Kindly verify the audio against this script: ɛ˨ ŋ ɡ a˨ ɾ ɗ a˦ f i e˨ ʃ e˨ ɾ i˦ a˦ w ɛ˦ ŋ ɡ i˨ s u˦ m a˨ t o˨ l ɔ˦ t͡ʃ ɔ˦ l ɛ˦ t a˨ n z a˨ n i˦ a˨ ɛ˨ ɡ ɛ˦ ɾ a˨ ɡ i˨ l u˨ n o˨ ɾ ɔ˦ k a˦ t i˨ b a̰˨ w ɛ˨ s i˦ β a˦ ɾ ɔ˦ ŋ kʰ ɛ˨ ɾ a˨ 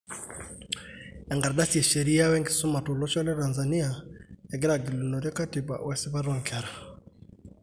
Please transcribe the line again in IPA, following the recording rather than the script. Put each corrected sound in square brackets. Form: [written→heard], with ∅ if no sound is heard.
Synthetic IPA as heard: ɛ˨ ŋ ɡ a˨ ɾ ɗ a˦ [f→s] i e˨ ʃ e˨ ɾ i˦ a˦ w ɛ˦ ŋ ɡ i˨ s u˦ m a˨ t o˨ l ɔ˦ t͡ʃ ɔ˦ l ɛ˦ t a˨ n z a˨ n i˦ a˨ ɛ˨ ɡ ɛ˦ ɾ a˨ ɡ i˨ l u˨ n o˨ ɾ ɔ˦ k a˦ t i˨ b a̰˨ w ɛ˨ s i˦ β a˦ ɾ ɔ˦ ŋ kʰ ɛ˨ ɾ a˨